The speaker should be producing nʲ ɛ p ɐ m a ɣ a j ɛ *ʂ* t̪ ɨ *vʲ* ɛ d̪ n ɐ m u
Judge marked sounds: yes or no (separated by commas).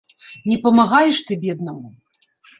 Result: yes, no